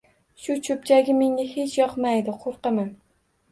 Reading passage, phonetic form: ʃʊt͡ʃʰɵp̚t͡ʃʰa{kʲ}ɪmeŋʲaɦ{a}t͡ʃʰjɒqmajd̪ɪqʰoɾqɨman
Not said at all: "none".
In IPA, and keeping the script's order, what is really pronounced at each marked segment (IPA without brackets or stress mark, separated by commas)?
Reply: ɡʲ, e